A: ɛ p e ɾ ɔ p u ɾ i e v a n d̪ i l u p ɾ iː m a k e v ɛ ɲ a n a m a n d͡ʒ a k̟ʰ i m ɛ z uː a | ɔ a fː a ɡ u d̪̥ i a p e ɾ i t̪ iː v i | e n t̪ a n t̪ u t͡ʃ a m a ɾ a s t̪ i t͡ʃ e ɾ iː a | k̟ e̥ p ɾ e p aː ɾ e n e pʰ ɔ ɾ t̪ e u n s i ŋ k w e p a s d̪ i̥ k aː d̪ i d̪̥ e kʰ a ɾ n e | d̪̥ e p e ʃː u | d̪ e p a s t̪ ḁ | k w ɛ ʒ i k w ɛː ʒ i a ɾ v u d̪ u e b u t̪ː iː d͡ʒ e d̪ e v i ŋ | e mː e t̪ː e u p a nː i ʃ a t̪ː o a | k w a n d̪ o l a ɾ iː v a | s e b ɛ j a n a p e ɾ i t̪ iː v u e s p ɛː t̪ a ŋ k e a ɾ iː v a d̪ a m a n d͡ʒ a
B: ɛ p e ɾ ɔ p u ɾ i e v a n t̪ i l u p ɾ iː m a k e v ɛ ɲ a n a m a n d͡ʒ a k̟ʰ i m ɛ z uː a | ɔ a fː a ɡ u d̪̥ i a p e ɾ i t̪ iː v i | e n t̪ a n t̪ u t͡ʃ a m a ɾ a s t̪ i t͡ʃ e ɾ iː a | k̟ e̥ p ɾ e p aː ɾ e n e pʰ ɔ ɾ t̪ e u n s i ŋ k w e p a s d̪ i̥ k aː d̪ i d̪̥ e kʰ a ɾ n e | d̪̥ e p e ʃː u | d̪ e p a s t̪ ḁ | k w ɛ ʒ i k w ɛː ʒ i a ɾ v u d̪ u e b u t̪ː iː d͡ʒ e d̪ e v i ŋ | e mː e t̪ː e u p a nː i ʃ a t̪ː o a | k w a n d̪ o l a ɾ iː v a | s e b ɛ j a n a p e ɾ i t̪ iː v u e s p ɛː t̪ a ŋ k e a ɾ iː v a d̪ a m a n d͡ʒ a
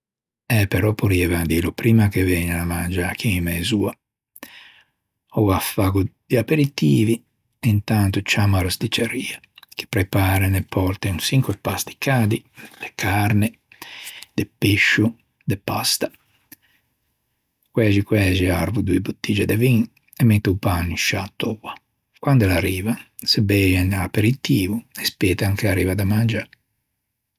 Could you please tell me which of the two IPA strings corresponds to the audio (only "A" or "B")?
A